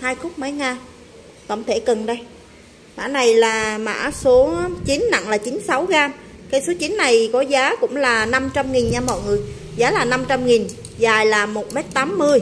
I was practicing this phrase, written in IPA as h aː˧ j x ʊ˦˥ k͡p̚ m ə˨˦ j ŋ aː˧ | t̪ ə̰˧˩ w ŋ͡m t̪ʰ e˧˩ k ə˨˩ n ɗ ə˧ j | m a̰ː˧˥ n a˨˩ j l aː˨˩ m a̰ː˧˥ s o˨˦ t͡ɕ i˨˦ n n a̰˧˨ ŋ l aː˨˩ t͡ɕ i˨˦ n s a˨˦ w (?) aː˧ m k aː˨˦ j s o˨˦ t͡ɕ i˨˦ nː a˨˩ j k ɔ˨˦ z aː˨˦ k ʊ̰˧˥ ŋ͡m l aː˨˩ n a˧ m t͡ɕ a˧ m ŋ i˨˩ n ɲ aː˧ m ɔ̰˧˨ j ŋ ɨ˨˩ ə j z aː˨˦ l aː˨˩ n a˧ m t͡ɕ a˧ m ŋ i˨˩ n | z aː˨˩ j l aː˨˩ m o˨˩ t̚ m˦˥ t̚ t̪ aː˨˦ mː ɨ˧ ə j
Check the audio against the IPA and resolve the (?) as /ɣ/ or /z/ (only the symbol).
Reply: ɣ